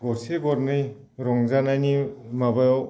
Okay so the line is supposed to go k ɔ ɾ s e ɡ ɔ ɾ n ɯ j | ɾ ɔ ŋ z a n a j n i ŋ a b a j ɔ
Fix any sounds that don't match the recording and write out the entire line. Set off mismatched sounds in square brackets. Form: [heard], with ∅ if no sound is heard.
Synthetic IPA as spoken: [ɡ] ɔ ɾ s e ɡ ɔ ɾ n ɯ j | ɾ ɔ ŋ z a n a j n i [m] a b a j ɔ